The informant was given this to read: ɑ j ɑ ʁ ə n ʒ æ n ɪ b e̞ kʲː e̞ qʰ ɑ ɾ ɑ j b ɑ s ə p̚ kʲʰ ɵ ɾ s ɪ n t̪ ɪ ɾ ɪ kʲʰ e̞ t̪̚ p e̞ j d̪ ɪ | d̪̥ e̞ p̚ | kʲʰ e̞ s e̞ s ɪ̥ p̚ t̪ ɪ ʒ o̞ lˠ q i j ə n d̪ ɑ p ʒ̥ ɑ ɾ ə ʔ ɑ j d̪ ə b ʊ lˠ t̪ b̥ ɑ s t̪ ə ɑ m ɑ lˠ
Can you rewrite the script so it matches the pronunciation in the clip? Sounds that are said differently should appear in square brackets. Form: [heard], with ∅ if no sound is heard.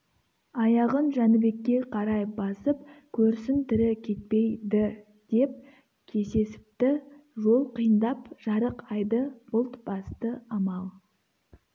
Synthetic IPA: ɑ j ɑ ʁ ə n ʒ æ n ɪ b e̞ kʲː e̞ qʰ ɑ ɾ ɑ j b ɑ s ə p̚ kʲʰ ɵ ɾ s ɪ n t̪ ɪ ɾ ɪ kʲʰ e̞ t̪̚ p e̞ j d̪ ɪ | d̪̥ e̞ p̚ | kʲʰ e̞ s e̞ s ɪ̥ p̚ t̪ ɪ ʒ o̞ lˠ q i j ə n d̪ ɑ p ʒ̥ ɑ ɾ ə [q] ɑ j d̪ ə b ʊ lˠ t̪ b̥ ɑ s t̪ ə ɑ m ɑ lˠ

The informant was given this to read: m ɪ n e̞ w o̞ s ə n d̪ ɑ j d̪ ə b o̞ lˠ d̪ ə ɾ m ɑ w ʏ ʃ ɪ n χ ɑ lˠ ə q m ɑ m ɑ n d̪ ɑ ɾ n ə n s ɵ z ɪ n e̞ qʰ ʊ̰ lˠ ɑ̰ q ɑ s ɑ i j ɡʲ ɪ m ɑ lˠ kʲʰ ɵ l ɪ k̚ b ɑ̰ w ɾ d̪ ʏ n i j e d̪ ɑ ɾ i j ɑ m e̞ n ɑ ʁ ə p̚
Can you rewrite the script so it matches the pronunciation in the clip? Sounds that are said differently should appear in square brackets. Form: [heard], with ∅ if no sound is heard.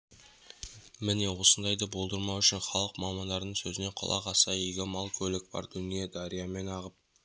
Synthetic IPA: m ɪ n e̞ w o̞ s ə n d̪ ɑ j d̪ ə b o̞ lˠ d̪ ə ɾ m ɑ w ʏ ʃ ɪ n χ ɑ lˠ ə q m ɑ m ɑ n d̪ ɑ ɾ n ə [ɴ] s ɵ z ɪ n e̞ qʰ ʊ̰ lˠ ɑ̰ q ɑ s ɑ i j ɡʲ ɪ m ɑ lˠ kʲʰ ɵ l ɪ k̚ b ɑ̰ [∅] ɾ d̪ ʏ n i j e d̪ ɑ ɾ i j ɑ m e̞ n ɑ ʁ ə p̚

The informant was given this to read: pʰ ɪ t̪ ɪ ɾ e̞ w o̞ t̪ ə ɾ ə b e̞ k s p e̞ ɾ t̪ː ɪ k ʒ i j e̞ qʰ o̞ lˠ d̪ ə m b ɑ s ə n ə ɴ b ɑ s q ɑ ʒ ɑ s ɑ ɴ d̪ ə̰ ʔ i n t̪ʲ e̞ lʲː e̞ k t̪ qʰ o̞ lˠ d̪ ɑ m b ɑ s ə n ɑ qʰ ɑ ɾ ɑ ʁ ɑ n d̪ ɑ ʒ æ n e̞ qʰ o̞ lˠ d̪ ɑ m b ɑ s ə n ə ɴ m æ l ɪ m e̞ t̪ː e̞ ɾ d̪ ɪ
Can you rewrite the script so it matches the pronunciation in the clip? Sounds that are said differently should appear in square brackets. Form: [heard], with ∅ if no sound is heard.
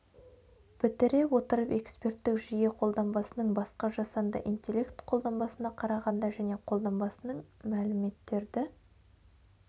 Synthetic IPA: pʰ ɪ t̪ ɪ ɾ e̞ w o̞ t̪ ə ɾ ə [p] e̞ k s p e̞ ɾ t̪ː ɪ k ʒ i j e̞ qʰ o̞ lˠ d̪ [ɑ] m b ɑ s ə n ə ɴ b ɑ s q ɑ ʒ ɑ s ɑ [n] d̪ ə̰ ʔ i n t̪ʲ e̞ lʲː e̞ k t̪ qʰ o̞ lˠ d̪ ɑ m b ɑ s ə n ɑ qʰ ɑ ɾ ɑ ʁ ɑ n d̪ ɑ ʒ æ n e̞ qʰ o̞ lˠ d̪ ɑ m b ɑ s ə n ə ɴ m æ l ɪ m e̞ t̪ː e̞ ɾ d̪ ɪ

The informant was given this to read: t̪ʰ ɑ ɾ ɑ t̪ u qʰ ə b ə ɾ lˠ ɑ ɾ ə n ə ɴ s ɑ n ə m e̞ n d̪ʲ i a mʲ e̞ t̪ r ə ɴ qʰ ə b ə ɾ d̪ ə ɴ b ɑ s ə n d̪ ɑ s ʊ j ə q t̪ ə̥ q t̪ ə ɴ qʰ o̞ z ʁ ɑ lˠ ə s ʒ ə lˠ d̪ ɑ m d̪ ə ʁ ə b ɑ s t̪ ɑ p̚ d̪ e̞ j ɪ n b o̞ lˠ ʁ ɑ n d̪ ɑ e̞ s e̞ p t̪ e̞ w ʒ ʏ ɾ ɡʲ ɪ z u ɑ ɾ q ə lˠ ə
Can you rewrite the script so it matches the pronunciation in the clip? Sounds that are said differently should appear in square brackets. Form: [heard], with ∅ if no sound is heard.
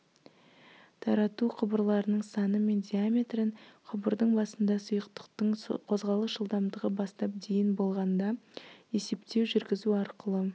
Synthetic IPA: t̪ʰ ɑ ɾ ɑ t̪ u qʰ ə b ə ɾ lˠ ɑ ɾ ə n ə ɴ s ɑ n ə m e̞ n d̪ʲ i a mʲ e̞ t̪ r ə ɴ qʰ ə b ə ɾ d̪ ə ɴ b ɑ s ə n d̪ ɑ s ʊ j ə q t̪ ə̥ q t̪ ə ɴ qʰ o̞ z ʁ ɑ lˠ ə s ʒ ə lˠ d̪ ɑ m d̪ ə ʁ ə b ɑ s t̪ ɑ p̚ d̪ e̞ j ɪ n b o̞ lˠ ʁ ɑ n d̪ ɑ e̞ s e̞ p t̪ e̞ w ʒ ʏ ɾ ɡʲ ɪ z u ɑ ɾ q ə lˠ ə

